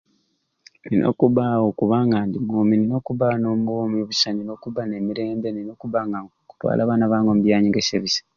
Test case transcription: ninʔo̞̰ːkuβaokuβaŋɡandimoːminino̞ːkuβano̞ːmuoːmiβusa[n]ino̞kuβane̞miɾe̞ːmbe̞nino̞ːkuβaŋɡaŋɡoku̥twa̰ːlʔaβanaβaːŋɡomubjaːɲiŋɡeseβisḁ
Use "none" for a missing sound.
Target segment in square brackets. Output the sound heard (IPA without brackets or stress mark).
n